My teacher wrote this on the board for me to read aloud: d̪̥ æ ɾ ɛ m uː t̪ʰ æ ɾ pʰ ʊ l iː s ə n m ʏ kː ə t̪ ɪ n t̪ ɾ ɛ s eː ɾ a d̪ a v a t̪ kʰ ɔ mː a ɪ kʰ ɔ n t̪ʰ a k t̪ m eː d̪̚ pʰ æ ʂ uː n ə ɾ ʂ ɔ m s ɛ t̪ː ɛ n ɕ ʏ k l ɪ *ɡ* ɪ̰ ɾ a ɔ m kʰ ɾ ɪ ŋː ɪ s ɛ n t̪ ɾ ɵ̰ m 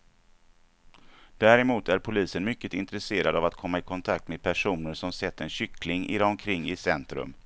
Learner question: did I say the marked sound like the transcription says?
no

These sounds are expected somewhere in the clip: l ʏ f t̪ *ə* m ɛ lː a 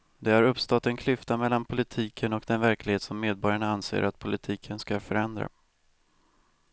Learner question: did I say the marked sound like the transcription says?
no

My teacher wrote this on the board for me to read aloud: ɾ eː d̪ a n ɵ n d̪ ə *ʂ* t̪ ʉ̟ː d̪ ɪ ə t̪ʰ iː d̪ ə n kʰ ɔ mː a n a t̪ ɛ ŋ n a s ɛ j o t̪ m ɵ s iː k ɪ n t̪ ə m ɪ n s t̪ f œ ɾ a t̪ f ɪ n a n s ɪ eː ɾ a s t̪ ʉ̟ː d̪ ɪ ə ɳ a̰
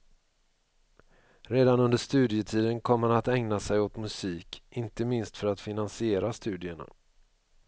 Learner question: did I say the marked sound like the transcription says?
yes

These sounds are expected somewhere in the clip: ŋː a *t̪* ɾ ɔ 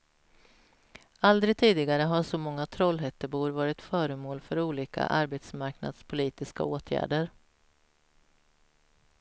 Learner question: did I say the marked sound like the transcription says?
no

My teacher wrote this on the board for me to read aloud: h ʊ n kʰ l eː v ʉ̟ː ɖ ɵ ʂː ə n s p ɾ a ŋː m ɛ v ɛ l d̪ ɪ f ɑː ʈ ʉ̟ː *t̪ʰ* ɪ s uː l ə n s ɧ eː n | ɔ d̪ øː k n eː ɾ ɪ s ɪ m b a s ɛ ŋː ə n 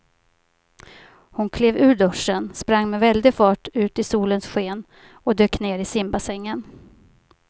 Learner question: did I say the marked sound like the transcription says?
no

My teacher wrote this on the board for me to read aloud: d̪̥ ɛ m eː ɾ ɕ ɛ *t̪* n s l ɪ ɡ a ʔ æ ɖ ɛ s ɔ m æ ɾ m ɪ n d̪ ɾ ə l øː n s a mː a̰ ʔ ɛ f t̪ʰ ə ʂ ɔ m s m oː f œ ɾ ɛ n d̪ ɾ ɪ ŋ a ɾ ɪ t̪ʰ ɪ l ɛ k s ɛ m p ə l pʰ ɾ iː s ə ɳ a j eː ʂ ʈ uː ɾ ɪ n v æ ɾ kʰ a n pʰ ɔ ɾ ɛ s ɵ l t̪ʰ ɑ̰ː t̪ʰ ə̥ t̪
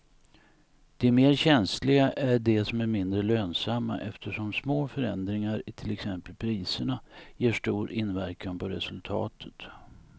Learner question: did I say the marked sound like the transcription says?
no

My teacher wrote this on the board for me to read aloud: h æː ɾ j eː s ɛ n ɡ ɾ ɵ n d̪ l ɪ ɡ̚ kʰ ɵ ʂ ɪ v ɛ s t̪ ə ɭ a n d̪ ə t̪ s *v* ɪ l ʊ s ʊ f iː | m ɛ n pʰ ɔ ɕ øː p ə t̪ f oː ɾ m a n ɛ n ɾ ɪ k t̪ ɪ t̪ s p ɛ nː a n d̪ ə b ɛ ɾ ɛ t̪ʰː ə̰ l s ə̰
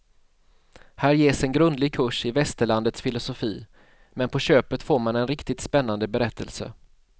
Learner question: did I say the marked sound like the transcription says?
no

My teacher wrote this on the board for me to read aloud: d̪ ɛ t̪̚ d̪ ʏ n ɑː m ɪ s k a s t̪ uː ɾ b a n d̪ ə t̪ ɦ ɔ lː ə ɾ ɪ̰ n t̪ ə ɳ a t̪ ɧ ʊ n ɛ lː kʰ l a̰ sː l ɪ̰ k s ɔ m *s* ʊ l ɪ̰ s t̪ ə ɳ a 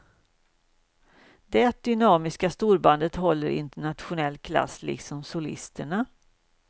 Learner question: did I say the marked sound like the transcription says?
yes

